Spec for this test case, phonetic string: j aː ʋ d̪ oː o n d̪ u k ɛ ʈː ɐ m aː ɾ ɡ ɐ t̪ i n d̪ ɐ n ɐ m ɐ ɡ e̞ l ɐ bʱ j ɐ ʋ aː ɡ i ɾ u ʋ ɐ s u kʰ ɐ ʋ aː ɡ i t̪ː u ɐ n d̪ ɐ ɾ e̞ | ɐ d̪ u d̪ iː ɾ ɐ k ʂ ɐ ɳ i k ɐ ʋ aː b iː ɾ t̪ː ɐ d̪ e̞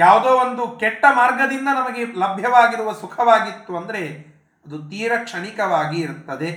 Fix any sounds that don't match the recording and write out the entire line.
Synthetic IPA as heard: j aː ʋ d̪ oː o n d̪ u k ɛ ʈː ɐ m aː ɾ ɡ ɐ d̪ i n d̪ ɐ n ɐ m ɐ ɡ e̞ l ɐ bʱ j ɐ ʋ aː ɡ i ɾ u ʋ ɐ s u kʰ ɐ ʋ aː ɡ i t̪ː u ɐ n d̪ ɐ ɾ e̞ | ɐ d̪ u t̪ iː ɾ ɐ k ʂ ɐ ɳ i k ɐ ʋ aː ɡ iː ɾ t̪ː ɐ d̪ e̞